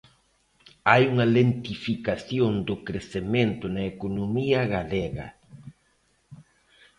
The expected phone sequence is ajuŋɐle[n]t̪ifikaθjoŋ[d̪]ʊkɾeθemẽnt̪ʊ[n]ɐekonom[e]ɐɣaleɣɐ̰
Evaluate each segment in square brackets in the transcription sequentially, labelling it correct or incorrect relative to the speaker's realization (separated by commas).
correct, correct, correct, incorrect